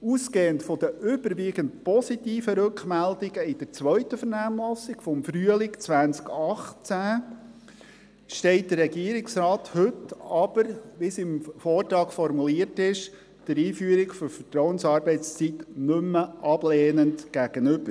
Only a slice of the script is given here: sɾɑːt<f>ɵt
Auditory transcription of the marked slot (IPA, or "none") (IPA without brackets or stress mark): h